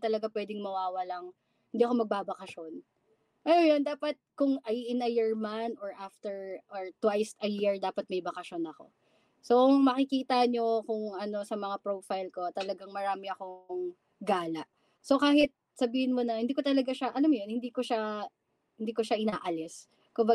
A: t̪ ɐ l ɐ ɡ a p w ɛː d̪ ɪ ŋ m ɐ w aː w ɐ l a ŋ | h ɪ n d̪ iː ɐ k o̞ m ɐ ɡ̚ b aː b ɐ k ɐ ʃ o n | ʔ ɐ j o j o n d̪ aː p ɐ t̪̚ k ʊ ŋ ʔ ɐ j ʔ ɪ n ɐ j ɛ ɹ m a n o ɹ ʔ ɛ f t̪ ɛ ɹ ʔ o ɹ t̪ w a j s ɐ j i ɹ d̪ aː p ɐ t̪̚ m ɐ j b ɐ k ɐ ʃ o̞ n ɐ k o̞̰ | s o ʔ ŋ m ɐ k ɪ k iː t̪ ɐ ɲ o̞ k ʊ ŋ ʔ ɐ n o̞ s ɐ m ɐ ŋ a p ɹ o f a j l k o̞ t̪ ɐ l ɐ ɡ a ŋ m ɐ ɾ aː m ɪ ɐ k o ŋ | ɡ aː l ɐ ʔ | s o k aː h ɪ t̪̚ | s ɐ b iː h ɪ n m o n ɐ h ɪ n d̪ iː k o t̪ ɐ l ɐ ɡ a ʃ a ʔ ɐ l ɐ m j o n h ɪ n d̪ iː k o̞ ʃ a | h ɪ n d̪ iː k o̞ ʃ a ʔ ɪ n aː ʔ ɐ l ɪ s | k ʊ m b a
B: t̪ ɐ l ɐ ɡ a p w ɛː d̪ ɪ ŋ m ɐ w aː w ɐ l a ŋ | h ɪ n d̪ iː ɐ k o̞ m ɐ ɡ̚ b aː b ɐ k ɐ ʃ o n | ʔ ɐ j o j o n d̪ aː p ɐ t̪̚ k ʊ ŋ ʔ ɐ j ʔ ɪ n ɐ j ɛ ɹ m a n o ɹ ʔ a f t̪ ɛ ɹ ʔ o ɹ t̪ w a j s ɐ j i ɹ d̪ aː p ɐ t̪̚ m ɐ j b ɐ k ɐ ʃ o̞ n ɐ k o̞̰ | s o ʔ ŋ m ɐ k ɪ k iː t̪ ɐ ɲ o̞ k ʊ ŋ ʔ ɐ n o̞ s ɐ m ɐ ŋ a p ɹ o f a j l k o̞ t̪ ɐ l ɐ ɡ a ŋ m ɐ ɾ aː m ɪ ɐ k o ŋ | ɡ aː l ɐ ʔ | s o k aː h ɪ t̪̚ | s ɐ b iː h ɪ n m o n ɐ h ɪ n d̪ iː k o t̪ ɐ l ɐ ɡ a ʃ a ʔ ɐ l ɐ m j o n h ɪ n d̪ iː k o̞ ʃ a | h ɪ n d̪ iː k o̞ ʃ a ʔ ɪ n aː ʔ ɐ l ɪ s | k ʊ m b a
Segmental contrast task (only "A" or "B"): B